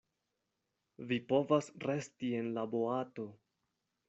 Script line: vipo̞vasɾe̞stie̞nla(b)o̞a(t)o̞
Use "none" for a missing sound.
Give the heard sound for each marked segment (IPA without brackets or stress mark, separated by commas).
b, t